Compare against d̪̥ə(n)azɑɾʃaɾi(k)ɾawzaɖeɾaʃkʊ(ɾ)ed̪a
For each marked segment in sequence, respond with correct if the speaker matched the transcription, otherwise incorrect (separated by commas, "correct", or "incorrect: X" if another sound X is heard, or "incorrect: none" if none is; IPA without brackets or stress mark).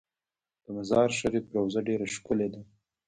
incorrect: m, incorrect: p, incorrect: l